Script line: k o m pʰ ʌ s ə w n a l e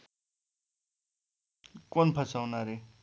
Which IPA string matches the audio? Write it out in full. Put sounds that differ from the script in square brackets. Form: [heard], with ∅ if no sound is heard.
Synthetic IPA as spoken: k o [n] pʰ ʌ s [a] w n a [ɾ] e

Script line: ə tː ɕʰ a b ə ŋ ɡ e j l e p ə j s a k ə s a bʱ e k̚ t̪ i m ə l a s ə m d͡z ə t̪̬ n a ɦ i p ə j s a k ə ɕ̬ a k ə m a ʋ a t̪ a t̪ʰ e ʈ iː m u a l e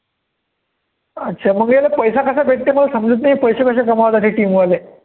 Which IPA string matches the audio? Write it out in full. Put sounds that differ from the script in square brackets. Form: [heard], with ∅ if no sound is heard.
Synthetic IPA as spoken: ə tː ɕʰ a [m] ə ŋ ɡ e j l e p ə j s a k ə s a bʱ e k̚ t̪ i m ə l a s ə m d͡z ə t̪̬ n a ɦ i p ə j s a k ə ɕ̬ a k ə m a ʋ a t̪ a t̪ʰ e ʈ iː m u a l e

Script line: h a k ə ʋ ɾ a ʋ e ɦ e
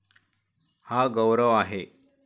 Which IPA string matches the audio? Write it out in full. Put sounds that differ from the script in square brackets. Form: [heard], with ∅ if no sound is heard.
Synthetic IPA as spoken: h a [ɡ] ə [w] ɾ [ə] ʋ [a] ɦ e

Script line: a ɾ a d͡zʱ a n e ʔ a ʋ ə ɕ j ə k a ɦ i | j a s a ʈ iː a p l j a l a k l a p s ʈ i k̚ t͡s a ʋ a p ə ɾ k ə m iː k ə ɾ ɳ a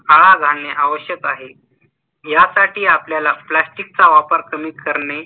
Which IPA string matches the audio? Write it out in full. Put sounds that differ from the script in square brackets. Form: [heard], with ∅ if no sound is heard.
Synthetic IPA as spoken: a [ɭ] a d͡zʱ a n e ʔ a ʋ ə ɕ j ə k a ɦ [e] | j a s a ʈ iː a p l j a l a [p] l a [∅] s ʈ i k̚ t͡s a ʋ a p ə ɾ k ə m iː k ə ɾ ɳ [e]

